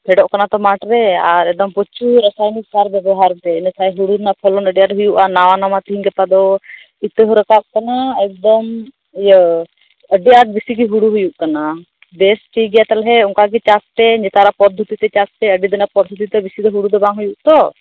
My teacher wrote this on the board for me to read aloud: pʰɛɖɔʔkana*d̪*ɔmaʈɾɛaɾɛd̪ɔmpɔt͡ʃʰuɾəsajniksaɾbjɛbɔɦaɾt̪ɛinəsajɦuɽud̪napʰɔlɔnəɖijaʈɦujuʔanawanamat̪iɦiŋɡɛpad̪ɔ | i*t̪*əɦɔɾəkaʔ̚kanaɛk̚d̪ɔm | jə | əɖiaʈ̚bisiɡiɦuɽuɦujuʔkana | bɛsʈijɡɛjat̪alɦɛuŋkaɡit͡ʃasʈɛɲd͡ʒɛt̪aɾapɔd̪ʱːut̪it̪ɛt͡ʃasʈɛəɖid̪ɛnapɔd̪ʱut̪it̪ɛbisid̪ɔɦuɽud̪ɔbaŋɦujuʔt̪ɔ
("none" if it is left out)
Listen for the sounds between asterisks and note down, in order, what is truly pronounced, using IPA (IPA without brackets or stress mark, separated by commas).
t̪, t̪